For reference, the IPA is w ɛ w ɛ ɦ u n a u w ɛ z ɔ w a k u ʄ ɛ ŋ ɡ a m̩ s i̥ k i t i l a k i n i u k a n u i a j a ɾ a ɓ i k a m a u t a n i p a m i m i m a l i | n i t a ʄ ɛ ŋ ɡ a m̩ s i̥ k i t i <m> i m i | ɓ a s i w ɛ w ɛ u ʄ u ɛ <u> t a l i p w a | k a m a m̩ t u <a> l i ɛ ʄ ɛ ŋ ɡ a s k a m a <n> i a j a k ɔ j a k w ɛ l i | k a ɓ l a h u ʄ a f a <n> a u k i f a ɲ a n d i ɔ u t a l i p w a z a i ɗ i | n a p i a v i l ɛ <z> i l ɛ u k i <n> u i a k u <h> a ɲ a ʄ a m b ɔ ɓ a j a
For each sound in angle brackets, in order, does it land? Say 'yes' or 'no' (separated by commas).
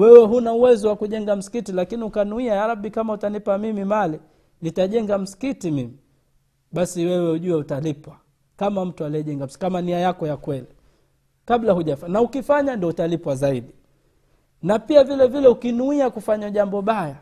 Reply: yes, yes, yes, yes, yes, no, yes, no